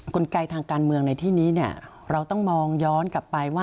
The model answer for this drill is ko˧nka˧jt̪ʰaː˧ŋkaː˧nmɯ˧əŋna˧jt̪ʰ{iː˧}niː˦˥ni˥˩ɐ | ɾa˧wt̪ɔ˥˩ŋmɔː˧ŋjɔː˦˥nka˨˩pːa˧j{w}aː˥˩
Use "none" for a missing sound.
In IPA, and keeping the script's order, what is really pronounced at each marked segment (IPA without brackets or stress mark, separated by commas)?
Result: iː˥˩, w